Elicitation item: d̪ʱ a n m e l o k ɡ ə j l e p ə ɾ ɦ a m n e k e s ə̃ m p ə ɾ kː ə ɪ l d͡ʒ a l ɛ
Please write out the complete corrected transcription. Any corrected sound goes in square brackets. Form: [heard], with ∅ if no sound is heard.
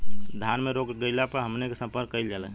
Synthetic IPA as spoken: d̪ʱ a n m e [ɾ] o k ɡ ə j l [a] p ə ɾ ɦ [ə] m n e k e s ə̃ m p ə ɾ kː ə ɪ l d͡ʒ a l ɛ